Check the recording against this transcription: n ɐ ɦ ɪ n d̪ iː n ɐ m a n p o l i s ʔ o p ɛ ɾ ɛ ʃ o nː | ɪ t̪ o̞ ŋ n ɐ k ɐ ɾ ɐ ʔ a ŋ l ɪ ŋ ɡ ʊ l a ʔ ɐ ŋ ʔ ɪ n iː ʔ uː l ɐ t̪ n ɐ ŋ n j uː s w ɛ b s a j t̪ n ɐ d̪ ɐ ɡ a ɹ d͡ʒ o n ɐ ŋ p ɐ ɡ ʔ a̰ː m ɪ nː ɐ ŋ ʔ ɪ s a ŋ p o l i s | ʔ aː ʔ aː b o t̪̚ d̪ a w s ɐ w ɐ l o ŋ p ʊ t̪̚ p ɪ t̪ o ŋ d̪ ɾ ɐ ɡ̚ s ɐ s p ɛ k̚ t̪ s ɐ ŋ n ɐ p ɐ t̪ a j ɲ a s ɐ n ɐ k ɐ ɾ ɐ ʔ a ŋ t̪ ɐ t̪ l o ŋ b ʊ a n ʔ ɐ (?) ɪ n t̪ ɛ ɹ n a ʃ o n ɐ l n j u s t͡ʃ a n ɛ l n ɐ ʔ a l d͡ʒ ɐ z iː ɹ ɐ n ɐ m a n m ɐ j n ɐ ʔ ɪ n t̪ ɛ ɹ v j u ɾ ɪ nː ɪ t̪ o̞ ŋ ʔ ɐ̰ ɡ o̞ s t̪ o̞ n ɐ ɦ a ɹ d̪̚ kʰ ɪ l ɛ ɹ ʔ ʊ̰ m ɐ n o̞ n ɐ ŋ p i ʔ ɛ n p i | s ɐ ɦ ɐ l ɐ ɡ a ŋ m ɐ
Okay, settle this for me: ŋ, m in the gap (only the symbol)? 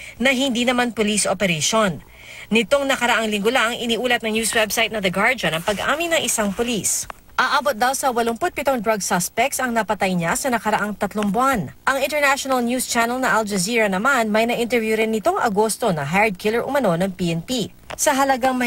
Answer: ŋ